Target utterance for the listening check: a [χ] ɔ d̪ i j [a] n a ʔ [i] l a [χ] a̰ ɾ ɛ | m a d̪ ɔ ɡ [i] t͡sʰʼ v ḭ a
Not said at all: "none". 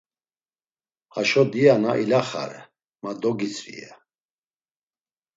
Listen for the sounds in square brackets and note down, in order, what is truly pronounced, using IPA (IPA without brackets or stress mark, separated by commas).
ʃ, a, i, χ, i